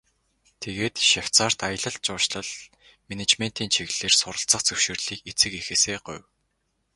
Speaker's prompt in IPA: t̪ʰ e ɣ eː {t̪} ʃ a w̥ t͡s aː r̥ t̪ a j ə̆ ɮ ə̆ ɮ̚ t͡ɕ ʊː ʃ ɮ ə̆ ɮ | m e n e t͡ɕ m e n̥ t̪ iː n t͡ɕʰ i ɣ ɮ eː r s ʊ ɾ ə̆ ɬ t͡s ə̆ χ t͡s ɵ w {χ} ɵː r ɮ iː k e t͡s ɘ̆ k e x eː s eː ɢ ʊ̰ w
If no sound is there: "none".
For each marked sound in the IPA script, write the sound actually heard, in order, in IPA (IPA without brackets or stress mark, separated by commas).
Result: t̪, ʃ